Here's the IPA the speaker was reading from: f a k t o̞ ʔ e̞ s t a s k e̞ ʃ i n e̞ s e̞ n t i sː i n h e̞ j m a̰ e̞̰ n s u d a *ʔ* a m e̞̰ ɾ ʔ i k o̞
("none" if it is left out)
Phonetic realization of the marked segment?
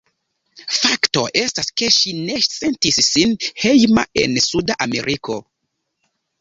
ʔ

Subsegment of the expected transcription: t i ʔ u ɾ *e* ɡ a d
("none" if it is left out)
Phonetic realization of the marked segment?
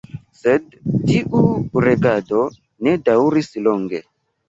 e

